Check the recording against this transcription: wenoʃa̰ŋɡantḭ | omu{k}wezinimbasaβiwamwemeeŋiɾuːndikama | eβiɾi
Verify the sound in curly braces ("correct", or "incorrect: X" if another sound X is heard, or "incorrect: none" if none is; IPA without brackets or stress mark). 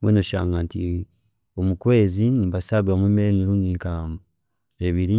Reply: correct